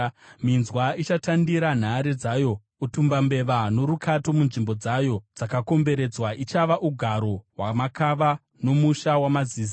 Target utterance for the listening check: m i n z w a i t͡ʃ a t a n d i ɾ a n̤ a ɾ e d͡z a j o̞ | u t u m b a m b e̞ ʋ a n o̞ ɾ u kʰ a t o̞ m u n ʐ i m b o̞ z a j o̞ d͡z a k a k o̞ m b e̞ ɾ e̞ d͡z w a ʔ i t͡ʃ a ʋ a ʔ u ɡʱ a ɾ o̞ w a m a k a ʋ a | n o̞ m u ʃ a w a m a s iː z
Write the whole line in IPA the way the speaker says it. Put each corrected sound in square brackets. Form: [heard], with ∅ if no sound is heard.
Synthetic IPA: m i n z w a i t͡ʃ a t a n d i ɾ a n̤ a ɾ e d͡z a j o̞ | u t u m b a m b e̞ ʋ a n o̞ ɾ u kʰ a t o̞ m u n ʐ i m b o̞ [d͡z] a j o̞ d͡z a k a k o̞ m b e̞ ɾ e̞ d͡z w a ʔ i t͡ʃ a ʋ a ʔ u ɡʱ a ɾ o̞ w a m a k a ʋ a | n o̞ m u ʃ a w a m a [z] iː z

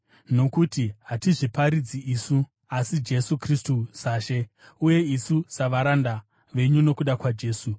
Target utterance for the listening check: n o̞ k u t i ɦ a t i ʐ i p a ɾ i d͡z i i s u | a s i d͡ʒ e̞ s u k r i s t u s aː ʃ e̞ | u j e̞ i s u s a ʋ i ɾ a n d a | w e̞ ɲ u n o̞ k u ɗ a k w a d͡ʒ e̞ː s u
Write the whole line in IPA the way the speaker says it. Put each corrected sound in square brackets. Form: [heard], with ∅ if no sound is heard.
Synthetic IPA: n o̞ k u t i ɦ a t i ʐ i p a ɾ i d͡z i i s u | a s i d͡ʒ e̞ s u k r i s t u s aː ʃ e̞ | u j e̞ i s u s a ʋ [a] ɾ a n d a | [ʋ] e̞ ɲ u n o̞ k u ɗ a k w a d͡ʒ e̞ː s u

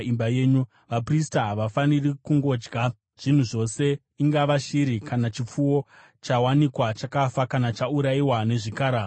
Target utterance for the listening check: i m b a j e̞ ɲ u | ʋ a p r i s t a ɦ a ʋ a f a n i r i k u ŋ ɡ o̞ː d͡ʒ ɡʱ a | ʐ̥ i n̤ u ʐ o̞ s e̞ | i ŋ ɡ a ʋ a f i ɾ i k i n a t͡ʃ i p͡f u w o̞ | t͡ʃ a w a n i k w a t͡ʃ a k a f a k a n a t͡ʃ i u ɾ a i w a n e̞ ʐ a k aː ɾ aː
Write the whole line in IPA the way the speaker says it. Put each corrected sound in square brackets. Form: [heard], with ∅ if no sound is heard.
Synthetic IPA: i m b a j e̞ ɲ u | ʋ a p r i s t a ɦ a ʋ a f a n i r i k u ŋ ɡ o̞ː d͡ʒ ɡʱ a | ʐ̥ i n̤ u ʐ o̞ s e̞ | i ŋ ɡ a ʋ a [ʃ] i ɾ i k [a] n a t͡ʃ i p͡f u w o̞ | t͡ʃ a w a n i k w a t͡ʃ a k a f a k a n a t͡ʃ [a] u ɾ a i w a n e̞ ʐ [i] k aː ɾ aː

